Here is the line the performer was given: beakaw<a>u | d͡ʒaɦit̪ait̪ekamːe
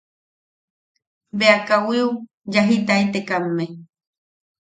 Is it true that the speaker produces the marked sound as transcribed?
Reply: no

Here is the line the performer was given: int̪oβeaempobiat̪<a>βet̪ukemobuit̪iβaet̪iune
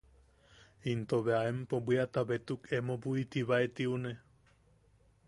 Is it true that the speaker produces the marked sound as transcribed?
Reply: yes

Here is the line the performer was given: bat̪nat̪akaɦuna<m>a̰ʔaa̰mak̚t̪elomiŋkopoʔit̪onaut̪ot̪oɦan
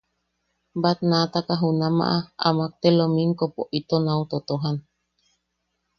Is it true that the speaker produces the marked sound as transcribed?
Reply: yes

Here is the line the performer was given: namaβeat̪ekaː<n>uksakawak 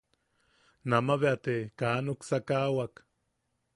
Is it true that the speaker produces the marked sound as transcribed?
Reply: yes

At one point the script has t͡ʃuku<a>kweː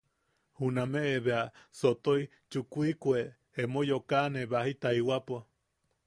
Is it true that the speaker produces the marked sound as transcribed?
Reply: no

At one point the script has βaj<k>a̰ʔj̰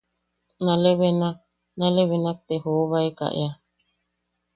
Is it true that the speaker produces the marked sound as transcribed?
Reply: yes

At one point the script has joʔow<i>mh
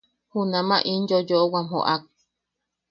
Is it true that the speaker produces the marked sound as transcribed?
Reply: no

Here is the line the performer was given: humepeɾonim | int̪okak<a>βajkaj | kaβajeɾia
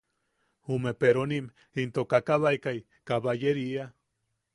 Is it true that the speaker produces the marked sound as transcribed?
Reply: yes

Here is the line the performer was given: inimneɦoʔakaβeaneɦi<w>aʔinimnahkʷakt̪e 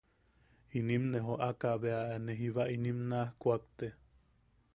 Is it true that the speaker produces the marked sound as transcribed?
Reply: no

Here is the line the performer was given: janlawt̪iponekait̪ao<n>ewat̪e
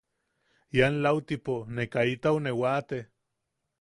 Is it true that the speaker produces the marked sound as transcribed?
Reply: yes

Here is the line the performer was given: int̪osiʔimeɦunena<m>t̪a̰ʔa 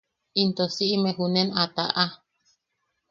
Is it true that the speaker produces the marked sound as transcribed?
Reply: no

